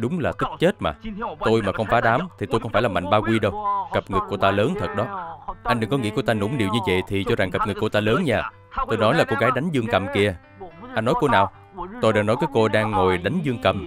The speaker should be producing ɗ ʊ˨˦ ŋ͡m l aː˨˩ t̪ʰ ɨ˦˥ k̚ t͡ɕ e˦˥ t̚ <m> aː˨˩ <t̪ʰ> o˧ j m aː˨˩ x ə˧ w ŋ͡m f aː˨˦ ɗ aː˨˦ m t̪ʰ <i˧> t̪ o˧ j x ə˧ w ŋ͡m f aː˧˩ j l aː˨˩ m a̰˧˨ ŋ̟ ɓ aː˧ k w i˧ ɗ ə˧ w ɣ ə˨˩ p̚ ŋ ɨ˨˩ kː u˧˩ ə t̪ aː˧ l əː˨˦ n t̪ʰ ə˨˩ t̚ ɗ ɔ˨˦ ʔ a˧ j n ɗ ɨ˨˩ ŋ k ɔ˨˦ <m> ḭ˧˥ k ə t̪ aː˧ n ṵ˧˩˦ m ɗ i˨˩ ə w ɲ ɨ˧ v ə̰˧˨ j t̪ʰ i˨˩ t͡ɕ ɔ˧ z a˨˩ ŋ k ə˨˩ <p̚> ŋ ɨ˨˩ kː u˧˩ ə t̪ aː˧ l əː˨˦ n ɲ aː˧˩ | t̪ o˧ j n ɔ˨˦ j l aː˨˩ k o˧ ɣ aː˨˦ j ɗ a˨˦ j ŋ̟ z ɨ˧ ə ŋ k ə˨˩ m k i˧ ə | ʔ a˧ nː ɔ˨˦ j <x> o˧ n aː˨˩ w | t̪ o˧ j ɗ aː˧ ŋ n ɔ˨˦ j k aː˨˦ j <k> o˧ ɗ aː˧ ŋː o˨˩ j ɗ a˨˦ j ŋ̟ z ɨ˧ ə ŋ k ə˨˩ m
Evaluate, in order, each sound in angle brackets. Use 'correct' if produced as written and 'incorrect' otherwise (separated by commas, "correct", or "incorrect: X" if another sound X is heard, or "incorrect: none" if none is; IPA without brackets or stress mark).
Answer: correct, incorrect: t̪, incorrect: i˨˩, incorrect: ŋ, correct, incorrect: k, correct